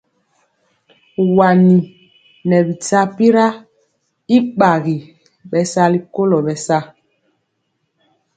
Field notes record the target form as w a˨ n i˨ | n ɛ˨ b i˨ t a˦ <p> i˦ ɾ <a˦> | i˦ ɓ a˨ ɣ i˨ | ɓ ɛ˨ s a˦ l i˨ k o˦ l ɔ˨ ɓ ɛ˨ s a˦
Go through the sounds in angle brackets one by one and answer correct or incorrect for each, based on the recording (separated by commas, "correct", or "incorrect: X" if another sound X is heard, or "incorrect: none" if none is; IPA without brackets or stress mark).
correct, correct